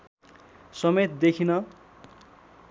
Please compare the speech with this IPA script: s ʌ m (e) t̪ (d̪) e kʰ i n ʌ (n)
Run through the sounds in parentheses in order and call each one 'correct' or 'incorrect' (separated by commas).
correct, correct, incorrect